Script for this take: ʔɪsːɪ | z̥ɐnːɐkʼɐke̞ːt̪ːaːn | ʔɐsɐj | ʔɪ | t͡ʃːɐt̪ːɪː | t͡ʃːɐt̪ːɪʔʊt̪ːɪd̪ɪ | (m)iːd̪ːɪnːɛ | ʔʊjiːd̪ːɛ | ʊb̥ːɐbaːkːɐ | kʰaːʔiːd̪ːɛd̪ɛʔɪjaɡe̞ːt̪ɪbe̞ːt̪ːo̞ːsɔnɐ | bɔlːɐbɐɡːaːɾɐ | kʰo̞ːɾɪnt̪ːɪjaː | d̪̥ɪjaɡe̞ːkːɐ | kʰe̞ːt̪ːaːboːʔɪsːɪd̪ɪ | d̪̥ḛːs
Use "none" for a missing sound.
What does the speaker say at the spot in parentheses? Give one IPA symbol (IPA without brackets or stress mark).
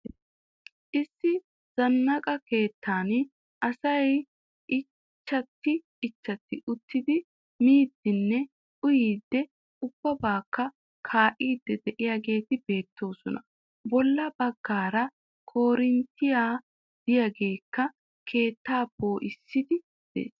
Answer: m